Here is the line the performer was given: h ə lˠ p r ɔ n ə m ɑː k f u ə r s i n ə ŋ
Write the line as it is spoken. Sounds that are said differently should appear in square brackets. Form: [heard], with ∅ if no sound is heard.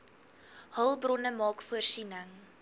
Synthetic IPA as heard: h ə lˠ [b] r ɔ n ə m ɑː k f u ə r s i n ə ŋ